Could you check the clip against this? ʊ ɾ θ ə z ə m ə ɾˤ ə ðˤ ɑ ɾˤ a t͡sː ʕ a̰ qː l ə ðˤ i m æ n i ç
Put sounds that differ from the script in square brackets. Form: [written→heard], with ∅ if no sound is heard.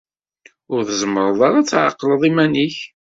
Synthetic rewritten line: ʊ ɾ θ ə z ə m ə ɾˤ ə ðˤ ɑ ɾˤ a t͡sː ʕ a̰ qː l ə ðˤ i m æ n i ç